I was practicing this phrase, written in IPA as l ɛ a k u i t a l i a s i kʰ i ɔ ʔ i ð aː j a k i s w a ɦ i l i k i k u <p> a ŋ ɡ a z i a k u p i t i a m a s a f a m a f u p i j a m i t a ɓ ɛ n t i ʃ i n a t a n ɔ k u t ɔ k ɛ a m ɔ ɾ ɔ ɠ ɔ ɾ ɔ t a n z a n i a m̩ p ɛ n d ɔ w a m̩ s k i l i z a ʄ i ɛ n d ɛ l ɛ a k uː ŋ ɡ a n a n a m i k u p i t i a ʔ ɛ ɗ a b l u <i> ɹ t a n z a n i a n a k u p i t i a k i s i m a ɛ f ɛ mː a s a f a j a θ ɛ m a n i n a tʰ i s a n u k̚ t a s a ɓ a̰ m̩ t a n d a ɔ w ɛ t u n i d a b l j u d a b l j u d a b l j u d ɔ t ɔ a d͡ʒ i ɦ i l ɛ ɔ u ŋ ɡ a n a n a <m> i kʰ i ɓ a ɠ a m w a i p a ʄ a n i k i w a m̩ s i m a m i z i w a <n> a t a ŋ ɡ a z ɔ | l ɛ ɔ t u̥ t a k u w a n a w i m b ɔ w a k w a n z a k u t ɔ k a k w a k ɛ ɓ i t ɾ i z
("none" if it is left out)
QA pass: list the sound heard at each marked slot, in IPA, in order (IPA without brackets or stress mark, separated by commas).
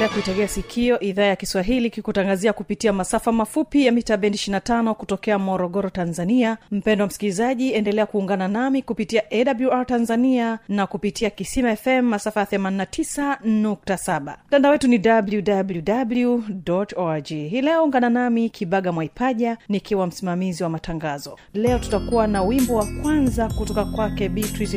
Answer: t, a, m, m